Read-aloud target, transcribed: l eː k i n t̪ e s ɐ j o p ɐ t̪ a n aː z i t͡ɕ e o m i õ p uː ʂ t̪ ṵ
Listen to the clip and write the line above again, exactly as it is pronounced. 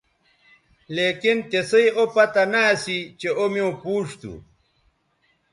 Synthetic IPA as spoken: l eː k i n t̪ e s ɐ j o p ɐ t̪ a n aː s i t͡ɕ e o m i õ p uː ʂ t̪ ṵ